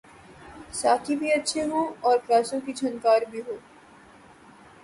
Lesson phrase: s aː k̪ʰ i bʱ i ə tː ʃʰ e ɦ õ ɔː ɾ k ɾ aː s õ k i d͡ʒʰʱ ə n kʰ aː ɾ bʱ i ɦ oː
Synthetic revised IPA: s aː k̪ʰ i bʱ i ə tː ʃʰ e ɦ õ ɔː ɾ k ɾ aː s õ k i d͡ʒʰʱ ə n k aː ɾ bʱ i ɦ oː